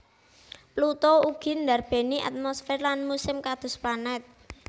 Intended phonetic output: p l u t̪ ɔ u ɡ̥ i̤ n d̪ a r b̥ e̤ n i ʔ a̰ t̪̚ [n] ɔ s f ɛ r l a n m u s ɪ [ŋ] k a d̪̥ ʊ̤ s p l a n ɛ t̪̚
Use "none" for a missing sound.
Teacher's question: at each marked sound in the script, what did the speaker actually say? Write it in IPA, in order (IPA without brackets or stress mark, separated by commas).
m, m